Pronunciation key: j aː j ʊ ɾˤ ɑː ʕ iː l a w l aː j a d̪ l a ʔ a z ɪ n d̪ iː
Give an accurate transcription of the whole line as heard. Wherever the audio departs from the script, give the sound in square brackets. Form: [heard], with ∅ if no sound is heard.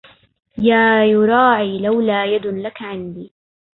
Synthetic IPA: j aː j ʊ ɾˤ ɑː ʕ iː l a w l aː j a d̪ l a [k] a [ʕ] ɪ n d̪ iː